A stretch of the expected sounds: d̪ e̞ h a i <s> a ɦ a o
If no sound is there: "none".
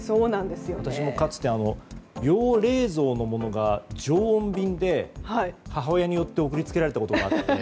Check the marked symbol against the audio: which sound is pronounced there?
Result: h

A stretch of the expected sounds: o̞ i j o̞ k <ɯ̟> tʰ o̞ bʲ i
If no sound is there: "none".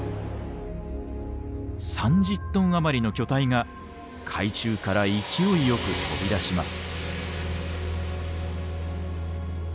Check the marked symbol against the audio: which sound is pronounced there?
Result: ɯ̟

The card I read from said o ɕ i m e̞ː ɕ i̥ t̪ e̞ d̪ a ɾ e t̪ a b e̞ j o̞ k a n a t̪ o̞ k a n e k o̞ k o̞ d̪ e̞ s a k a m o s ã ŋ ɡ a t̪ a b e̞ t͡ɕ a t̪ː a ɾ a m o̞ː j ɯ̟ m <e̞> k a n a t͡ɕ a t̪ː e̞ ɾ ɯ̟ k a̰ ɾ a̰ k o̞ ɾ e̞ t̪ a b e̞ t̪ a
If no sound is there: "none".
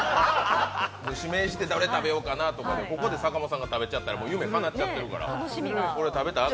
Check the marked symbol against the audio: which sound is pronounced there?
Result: e̞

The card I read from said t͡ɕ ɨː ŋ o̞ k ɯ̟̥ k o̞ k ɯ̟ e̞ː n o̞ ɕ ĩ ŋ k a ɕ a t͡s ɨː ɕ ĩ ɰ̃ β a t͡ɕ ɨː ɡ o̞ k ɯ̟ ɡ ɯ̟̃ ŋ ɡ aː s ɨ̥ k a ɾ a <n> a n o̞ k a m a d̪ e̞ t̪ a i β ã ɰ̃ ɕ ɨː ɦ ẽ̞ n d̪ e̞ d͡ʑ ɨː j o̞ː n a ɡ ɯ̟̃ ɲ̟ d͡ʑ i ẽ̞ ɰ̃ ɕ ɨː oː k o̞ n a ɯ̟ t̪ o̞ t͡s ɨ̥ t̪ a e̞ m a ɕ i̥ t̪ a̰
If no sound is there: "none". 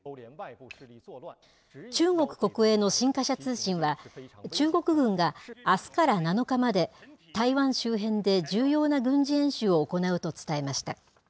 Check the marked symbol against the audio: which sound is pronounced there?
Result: n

